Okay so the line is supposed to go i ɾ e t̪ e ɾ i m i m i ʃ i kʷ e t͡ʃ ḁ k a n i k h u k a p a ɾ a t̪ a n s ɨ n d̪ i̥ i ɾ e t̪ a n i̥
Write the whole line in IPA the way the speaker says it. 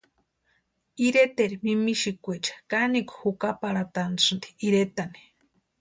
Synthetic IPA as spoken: i ɾ e t̪ e ɾ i m i m i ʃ i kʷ e t͡ʃ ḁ k a n i k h u k a p a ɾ a t̪ a n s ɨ n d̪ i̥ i ɾ e t̪ a n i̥